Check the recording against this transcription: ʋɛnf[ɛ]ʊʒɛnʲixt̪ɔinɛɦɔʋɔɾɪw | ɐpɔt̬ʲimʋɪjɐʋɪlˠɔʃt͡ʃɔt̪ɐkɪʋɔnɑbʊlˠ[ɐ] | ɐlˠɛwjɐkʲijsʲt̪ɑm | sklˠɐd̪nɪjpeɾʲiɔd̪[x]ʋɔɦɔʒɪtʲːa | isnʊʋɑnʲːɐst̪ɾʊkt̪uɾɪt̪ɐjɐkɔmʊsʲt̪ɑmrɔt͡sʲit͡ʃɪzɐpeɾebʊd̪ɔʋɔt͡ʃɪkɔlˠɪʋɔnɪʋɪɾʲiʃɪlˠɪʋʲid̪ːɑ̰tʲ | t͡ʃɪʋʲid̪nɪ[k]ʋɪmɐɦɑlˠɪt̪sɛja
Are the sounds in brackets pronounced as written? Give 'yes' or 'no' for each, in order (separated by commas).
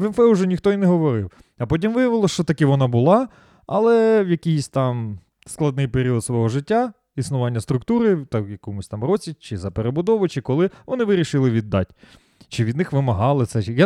yes, no, no, no